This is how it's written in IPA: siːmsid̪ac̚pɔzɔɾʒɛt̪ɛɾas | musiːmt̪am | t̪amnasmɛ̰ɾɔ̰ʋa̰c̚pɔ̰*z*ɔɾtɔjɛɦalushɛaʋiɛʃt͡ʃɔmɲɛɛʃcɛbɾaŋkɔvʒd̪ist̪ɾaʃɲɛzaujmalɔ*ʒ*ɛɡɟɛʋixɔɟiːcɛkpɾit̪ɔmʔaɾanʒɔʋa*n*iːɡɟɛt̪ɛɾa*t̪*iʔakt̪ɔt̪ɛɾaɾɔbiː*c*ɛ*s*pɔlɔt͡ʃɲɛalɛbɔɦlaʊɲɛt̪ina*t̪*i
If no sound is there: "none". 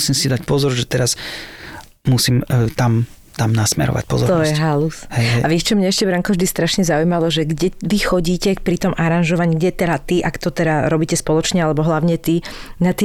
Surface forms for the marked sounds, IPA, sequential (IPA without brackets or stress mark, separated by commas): z, ʒ, ɲ, t̪, c, s, t̪